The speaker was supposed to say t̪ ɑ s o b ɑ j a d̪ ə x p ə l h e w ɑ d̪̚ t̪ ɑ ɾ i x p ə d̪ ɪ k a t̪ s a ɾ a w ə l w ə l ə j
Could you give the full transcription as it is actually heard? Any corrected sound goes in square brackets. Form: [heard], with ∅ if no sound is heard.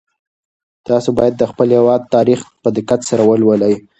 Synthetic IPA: t̪ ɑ s o b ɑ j a [d̪ː] ə x p ə l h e w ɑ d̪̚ t̪ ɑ ɾ i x p ə d̪ ɪ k a t̪ s a ɾ a w ə l w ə l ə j